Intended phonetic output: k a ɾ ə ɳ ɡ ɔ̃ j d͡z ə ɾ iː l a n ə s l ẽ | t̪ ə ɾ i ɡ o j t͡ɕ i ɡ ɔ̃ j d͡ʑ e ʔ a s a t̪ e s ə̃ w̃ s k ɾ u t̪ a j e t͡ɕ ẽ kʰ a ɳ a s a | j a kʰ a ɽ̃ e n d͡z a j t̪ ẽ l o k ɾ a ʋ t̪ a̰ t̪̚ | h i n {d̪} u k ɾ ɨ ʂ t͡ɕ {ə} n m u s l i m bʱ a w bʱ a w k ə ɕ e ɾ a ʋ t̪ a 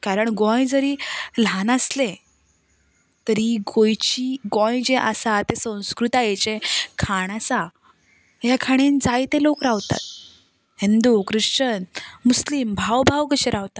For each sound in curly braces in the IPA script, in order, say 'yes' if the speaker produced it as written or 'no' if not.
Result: yes, yes

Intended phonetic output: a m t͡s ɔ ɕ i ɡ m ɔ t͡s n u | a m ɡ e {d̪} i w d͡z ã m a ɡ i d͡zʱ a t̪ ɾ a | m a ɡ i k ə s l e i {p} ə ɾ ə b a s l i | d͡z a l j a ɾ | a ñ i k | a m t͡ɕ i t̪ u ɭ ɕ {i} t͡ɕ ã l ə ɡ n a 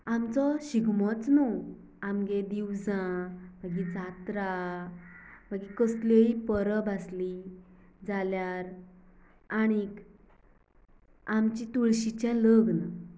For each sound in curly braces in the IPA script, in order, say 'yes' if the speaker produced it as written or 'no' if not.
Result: yes, yes, yes

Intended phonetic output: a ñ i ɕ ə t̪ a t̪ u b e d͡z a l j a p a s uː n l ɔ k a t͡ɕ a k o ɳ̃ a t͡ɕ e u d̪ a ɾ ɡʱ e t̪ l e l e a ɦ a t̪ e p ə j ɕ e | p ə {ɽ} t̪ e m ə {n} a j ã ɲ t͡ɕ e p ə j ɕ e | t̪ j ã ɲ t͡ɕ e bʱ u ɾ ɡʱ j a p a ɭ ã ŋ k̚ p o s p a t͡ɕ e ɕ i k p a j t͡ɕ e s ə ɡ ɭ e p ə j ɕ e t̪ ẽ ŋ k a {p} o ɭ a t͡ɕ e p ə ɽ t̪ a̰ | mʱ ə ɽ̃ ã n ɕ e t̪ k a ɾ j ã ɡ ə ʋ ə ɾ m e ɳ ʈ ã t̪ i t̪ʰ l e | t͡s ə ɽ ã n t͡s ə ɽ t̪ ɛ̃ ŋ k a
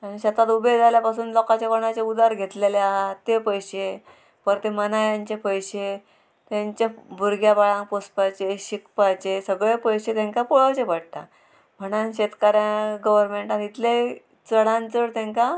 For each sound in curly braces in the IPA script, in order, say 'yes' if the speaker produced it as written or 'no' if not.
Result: no, yes, yes

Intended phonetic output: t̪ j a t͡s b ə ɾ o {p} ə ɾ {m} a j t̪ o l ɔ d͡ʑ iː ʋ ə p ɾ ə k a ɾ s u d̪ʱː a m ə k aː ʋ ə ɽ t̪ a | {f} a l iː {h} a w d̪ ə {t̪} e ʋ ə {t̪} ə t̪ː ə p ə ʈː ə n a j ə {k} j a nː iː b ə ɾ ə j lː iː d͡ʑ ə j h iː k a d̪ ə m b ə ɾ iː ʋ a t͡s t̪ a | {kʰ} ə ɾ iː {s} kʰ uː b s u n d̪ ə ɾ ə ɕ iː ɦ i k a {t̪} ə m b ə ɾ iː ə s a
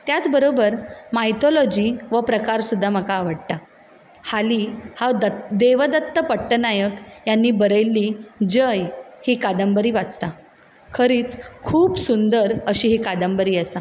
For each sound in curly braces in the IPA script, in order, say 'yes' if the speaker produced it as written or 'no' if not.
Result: no, yes, no, yes, no, no, yes, yes, no, no

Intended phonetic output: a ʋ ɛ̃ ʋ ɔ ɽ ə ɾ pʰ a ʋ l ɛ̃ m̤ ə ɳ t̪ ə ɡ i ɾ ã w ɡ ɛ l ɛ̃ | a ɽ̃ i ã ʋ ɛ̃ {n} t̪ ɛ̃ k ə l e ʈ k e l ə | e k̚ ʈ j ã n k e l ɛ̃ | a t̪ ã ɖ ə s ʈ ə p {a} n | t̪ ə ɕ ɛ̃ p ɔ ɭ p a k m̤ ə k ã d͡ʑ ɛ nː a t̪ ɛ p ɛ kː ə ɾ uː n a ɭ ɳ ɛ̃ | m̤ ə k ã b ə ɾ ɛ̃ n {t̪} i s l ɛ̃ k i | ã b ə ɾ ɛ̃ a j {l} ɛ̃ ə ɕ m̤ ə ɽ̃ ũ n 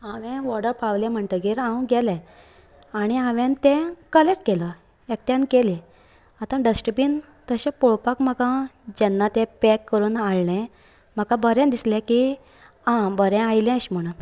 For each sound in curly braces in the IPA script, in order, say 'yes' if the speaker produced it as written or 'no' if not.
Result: yes, no, no, yes

